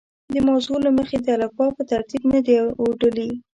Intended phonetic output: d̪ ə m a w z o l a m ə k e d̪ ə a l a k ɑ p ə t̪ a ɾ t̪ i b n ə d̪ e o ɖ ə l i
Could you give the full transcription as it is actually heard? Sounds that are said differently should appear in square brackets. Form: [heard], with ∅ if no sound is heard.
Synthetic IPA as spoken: d̪ ə m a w z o l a m ə [x] e d̪ ə a l a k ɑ p ə t̪ a ɾ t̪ i b n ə d̪ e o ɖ ə l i